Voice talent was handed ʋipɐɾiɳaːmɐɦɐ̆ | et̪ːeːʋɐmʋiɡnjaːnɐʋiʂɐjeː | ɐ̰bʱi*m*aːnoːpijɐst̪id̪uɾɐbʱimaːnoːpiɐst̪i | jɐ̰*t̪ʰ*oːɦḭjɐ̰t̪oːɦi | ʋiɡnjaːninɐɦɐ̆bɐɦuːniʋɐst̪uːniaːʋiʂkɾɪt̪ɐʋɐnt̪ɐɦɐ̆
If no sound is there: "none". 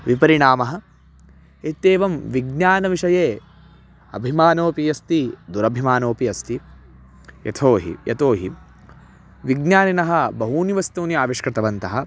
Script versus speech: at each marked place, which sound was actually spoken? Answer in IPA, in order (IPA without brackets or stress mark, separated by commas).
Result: m, t̪ʰ